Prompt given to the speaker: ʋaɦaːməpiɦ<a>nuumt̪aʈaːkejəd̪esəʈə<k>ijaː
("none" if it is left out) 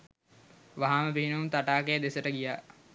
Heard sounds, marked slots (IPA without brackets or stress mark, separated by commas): i, ɡ